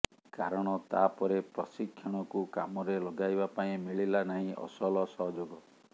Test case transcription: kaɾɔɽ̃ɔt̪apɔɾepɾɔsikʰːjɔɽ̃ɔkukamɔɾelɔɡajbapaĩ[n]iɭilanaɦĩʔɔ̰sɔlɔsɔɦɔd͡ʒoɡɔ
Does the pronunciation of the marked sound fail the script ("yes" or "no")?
yes